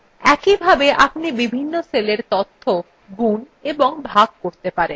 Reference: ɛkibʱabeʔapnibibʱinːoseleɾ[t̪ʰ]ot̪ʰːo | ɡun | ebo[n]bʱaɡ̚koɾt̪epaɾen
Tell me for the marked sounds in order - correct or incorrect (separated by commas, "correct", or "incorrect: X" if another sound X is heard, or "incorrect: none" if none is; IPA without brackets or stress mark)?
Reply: incorrect: t̪, incorrect: ŋ